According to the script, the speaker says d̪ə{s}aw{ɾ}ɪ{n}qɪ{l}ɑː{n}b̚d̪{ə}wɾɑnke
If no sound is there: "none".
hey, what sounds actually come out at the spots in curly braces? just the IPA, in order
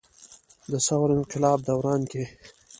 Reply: s, ɾ, n, l, none, a

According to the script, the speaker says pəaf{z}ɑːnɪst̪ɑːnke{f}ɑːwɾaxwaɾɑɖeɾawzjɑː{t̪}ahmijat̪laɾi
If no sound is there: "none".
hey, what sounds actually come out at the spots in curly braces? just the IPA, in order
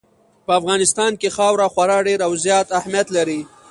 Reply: ɣ, x, t̪

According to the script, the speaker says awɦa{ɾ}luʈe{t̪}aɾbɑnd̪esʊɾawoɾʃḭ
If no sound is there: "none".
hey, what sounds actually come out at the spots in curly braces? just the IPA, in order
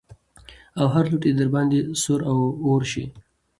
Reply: ɾ, d̪

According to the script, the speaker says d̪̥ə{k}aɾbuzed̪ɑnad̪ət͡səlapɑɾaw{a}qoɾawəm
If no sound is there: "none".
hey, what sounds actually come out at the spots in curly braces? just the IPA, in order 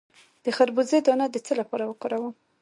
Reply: x, ə

